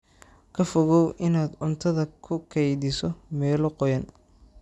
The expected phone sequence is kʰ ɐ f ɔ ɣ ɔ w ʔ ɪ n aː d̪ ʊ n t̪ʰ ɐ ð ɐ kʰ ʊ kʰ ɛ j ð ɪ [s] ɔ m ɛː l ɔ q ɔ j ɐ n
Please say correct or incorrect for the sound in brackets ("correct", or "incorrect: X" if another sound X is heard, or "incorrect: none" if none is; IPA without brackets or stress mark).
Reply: correct